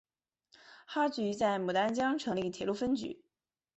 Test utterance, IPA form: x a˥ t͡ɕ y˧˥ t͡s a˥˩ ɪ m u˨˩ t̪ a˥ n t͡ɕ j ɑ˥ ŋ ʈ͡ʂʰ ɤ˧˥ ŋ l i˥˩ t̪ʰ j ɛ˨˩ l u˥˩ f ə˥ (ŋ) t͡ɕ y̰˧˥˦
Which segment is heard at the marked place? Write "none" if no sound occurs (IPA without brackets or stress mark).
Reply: n